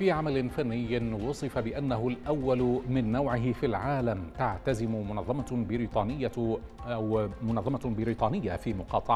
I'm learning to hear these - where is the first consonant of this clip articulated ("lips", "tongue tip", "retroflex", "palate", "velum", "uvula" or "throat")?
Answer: lips